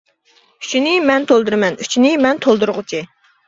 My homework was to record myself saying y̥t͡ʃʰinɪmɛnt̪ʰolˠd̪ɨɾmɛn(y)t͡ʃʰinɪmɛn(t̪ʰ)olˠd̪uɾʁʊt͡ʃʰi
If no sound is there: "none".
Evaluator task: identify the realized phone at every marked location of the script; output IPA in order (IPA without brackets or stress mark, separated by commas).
y, t̪ʰ